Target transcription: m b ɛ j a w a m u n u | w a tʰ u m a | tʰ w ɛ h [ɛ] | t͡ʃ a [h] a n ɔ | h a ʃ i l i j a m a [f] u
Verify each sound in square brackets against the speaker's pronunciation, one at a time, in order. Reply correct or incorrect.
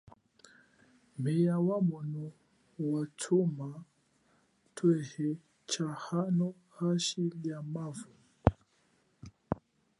correct, correct, incorrect: v

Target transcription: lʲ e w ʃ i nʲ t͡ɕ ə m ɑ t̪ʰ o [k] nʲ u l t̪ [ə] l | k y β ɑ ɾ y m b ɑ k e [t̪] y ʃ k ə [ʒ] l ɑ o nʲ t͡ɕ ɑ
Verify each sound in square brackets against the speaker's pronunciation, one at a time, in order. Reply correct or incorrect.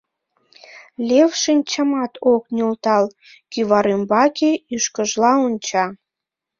correct, incorrect: ɑ, incorrect: none, correct

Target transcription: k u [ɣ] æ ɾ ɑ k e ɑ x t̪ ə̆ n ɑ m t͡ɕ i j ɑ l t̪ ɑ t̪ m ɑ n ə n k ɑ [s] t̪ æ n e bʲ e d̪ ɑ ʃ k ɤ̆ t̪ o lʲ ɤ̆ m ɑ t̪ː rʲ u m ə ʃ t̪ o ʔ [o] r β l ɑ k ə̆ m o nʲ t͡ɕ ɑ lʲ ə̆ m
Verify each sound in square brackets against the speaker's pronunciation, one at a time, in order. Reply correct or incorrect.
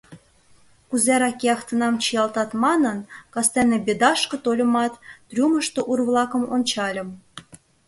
incorrect: z, correct, incorrect: u

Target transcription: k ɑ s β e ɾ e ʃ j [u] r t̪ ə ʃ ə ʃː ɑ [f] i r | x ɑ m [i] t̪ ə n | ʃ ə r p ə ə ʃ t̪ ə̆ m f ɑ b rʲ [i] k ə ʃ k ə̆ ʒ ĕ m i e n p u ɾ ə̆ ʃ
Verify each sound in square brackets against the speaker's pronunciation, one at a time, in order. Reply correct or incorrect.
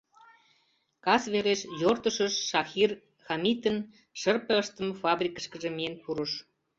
incorrect: o, incorrect: x, correct, correct

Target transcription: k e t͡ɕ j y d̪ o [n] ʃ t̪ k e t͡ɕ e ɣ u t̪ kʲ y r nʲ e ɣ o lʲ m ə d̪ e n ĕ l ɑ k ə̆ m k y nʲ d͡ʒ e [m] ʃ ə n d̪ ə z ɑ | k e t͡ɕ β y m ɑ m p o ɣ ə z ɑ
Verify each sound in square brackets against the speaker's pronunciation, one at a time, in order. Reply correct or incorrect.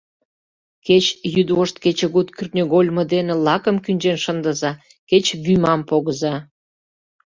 incorrect: none, incorrect: n

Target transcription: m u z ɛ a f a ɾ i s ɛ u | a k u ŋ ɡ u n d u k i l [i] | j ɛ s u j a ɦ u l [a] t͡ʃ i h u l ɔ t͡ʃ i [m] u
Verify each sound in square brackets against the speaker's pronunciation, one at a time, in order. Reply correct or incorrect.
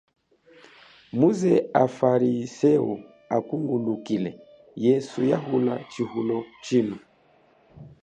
incorrect: ɛ, correct, incorrect: n

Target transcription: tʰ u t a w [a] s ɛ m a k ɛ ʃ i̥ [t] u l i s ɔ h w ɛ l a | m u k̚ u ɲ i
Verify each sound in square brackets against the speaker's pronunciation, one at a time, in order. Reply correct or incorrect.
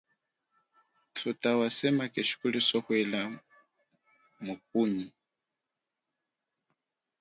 correct, incorrect: k

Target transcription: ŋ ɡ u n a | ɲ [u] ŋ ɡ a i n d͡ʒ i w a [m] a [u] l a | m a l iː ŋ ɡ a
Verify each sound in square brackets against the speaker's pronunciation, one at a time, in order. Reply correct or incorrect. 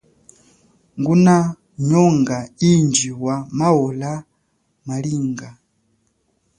incorrect: ɔ, correct, incorrect: ɔ

